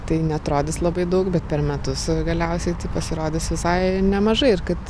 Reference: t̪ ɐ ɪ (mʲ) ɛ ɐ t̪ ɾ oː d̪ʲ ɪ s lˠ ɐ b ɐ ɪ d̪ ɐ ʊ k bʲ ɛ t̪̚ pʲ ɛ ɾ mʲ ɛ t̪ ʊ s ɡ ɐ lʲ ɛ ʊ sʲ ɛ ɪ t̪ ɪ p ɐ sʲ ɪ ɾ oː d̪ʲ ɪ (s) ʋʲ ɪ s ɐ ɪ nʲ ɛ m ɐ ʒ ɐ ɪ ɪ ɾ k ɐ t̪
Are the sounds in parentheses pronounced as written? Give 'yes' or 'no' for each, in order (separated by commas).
no, yes